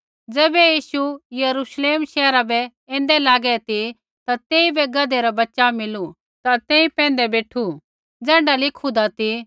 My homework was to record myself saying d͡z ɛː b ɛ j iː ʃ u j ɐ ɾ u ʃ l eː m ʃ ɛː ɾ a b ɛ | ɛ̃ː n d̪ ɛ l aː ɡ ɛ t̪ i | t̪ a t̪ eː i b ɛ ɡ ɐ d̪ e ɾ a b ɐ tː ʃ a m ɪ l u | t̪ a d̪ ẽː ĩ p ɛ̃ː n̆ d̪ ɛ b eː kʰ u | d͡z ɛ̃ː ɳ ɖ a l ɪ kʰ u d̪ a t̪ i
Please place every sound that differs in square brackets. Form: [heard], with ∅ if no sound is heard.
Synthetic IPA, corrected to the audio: d͡z ɛː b ɛ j iː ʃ u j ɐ ɾ u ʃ l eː m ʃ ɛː ɾ a b ɛ | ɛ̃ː n d̪ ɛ l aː ɡ ɛ t̪ i | t̪ a t̪ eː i b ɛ ɡ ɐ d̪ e ɾ a b ɐ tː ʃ a m ɪ l u | t̪ a [t̪] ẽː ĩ p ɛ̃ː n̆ d̪ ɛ b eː [ʈʰ] u | d͡z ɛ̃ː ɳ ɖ a l ɪ kʰ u d̪ a t̪ i